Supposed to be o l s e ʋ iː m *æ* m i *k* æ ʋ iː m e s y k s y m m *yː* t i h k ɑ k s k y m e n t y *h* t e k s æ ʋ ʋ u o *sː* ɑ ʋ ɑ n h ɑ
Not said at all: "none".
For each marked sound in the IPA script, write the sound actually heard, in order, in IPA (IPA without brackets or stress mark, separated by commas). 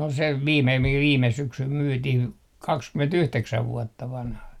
e, k, yː, h, tː